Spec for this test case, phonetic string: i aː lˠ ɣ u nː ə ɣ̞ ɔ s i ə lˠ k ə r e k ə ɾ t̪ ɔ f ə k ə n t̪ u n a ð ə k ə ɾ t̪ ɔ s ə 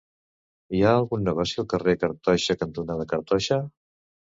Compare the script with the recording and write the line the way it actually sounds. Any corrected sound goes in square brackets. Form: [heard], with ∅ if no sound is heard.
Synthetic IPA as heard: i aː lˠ ɣ u nː ə ɣ̞ ɔ s i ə lˠ k ə r e k ə ɾ t̪ ɔ [ʃ] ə k ə n t̪ u n a ð ə k ə ɾ t̪ ɔ [ʃ] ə